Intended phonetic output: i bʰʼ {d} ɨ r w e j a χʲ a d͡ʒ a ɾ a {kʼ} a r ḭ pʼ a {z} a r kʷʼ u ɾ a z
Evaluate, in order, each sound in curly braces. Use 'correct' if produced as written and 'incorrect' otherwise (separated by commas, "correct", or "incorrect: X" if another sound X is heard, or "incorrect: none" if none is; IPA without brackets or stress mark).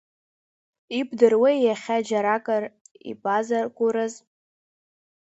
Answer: correct, correct, correct